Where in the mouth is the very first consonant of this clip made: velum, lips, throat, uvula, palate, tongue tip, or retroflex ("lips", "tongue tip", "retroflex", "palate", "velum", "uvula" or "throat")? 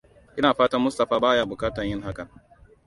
throat